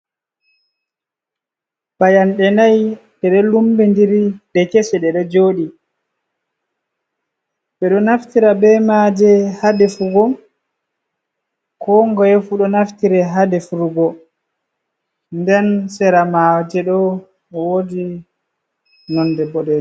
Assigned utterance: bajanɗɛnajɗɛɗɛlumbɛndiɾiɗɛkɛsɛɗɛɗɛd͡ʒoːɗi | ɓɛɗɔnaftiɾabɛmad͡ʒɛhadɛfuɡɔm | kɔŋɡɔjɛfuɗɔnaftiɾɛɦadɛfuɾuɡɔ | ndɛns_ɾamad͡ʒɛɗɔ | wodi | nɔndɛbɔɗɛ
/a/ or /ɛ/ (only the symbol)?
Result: ɛ